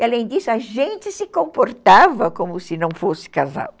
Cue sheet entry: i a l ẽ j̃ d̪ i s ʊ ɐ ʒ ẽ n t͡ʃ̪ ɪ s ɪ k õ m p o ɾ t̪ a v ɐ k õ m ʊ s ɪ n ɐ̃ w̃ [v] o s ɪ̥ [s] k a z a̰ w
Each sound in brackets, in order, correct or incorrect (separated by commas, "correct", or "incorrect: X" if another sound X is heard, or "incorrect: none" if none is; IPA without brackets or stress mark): incorrect: f, incorrect: none